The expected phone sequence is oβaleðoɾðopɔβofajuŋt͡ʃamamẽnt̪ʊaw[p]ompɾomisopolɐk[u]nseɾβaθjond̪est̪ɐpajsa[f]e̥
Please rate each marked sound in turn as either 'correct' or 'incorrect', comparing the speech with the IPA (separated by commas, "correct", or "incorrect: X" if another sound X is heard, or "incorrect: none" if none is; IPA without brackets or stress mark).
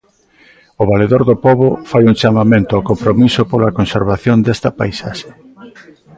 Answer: incorrect: k, incorrect: o, incorrect: ʃ